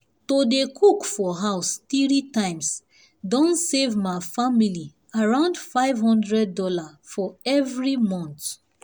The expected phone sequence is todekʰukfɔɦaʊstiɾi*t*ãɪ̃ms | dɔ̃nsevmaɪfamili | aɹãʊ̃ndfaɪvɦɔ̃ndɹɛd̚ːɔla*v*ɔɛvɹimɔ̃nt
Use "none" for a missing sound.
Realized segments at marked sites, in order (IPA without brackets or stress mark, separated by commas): t, f